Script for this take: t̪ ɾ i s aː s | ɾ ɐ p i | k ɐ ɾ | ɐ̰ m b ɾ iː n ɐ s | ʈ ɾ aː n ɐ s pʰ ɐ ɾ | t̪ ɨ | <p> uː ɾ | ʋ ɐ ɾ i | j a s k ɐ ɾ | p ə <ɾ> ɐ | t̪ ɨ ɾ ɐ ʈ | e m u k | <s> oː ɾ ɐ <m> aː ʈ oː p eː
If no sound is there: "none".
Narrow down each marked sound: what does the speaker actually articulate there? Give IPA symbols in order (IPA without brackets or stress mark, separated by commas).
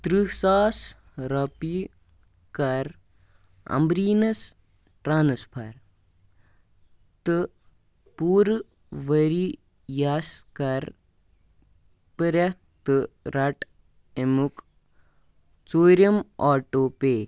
p, ɾ, t͡s, m